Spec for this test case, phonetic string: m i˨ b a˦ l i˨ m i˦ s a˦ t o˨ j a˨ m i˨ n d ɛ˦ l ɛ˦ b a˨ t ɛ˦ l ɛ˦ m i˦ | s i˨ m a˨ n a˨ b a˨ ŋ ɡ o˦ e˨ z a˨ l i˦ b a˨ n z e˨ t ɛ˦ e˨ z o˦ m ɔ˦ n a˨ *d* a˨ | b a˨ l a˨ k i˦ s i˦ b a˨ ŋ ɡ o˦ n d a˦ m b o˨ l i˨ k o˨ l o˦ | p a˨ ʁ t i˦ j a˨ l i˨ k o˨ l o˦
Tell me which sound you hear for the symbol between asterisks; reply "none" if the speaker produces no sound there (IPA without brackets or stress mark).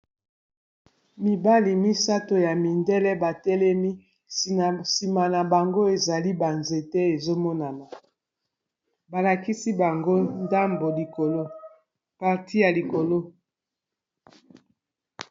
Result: n